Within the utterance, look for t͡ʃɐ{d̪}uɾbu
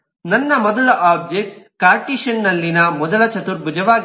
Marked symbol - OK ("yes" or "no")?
no